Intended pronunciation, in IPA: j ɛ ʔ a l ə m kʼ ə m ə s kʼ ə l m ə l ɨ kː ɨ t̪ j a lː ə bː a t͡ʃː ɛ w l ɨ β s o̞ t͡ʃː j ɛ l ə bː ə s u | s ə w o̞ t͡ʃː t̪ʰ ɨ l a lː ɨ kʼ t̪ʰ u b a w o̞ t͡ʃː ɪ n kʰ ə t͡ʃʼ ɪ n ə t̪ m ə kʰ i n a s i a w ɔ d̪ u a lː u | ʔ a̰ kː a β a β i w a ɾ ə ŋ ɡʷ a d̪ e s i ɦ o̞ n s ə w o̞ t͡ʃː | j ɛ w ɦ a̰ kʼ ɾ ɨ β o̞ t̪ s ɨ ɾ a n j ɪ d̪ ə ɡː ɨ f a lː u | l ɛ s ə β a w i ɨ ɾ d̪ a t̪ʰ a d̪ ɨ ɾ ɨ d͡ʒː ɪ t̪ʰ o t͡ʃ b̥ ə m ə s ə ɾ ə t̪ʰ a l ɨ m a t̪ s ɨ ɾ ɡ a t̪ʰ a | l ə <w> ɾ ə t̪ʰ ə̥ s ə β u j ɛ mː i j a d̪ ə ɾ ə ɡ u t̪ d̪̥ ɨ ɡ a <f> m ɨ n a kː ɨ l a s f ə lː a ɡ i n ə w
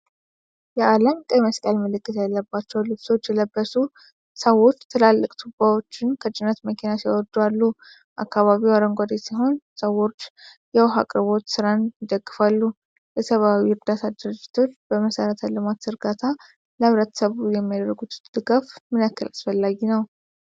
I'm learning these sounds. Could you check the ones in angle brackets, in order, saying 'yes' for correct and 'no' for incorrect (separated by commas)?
no, yes